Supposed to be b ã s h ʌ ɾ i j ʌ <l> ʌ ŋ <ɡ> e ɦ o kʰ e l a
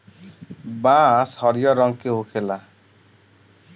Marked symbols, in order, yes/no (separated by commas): no, no